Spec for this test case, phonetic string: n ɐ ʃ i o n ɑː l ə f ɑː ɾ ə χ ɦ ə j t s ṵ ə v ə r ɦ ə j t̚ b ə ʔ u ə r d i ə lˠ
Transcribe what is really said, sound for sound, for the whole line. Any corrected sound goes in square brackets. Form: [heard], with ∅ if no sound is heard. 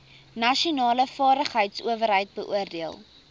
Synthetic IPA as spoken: n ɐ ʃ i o n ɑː l ə f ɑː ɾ ə χ ɦ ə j t s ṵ ə v ə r ɦ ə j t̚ b ə ʔ u ə r d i ə lˠ